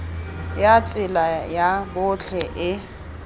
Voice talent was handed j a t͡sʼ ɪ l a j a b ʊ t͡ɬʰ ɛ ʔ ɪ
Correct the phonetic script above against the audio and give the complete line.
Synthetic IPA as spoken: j a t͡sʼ ɪ l a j a b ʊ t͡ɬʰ ɛ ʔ ɪ